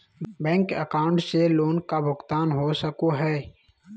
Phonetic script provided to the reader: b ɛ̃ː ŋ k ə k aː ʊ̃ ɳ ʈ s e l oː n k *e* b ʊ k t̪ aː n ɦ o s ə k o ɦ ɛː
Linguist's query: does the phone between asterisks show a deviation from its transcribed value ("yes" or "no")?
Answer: yes